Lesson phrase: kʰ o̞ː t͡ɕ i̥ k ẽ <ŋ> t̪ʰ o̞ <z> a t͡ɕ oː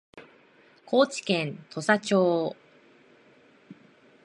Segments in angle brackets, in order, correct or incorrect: incorrect: n, incorrect: s

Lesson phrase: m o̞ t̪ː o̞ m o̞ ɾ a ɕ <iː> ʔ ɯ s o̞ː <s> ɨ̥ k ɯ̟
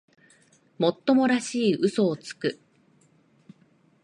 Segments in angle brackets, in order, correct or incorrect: correct, incorrect: t͡s

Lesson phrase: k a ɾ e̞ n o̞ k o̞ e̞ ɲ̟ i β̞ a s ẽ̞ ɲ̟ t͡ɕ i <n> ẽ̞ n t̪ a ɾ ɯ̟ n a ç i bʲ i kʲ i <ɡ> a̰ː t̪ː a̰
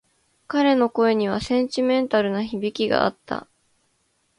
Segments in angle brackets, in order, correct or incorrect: incorrect: m, correct

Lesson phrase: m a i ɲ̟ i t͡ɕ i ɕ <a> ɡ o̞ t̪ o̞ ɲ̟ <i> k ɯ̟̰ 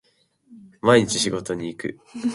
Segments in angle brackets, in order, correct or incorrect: incorrect: i, incorrect: iː

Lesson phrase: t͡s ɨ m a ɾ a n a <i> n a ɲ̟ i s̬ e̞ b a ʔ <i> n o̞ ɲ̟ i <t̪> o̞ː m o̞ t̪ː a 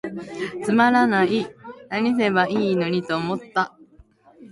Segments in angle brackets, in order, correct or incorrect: correct, incorrect: iː, correct

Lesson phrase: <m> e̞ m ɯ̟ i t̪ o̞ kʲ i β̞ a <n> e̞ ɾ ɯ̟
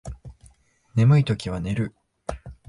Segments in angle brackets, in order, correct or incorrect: incorrect: n, correct

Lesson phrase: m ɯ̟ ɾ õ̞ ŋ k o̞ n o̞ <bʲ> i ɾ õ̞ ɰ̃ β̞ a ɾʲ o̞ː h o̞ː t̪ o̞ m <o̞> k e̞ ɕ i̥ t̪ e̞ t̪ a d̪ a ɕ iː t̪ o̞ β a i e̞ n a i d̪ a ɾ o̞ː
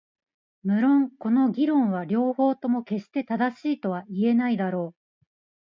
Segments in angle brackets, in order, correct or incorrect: incorrect: ɡʲ, correct

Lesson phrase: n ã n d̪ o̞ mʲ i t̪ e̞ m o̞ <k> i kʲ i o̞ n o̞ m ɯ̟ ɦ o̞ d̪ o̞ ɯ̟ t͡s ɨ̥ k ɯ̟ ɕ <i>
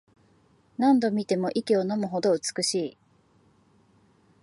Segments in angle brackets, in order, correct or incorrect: incorrect: ʔ, incorrect: iː

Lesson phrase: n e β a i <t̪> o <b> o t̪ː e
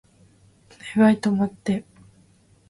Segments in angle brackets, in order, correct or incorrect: correct, incorrect: m

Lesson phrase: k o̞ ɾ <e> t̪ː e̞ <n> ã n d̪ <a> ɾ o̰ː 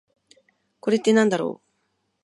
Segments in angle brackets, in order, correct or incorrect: correct, correct, correct

